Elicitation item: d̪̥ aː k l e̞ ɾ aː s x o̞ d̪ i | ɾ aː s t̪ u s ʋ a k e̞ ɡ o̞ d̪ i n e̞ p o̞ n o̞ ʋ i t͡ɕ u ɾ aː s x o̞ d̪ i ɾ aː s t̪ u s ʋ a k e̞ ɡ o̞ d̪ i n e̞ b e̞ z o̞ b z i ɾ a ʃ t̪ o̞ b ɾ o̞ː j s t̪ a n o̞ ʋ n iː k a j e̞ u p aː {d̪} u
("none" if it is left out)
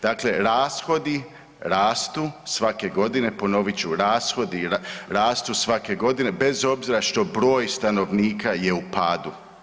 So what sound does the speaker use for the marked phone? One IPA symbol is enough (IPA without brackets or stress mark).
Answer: d̪